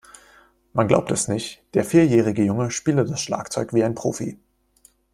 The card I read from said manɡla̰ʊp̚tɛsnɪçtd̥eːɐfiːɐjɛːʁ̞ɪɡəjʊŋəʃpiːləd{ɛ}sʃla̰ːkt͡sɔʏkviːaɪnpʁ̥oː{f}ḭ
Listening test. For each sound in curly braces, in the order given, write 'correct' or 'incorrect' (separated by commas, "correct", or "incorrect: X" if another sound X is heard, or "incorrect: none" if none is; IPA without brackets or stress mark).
incorrect: a, correct